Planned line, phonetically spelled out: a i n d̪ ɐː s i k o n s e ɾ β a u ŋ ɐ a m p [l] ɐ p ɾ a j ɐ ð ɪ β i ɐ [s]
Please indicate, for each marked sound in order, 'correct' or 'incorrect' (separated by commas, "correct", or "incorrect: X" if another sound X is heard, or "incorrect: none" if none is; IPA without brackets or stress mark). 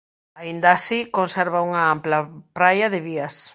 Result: correct, correct